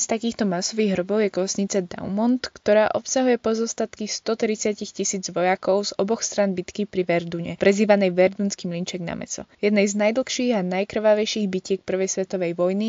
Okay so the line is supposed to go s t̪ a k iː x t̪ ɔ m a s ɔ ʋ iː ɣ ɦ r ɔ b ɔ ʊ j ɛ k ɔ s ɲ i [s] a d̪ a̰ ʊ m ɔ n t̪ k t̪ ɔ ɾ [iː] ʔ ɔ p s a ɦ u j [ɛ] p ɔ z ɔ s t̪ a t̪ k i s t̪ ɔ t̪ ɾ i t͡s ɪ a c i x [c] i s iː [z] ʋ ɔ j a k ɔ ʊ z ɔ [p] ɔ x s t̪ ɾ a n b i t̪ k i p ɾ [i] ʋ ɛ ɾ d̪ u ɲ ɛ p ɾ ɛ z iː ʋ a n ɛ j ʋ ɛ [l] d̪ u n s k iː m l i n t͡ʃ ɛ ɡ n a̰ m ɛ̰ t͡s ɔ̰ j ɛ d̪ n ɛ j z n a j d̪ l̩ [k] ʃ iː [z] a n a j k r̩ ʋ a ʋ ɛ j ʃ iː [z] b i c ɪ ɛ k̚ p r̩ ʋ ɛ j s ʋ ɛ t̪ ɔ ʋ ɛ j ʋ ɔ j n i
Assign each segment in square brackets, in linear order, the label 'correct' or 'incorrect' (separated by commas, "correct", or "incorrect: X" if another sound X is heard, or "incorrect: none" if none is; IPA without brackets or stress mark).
incorrect: t͡s, incorrect: aː, correct, correct, incorrect: d͡z, incorrect: b, correct, incorrect: ɾ, incorrect: x, incorrect: ɣ, incorrect: ɣ